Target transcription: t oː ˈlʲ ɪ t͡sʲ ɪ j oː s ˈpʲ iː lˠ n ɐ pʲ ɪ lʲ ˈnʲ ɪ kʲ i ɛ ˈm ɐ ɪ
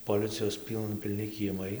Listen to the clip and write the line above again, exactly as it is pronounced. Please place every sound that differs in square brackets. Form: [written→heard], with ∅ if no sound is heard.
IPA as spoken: [t→p] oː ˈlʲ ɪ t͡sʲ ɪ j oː s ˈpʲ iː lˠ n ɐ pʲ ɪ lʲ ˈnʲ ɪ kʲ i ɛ ˈm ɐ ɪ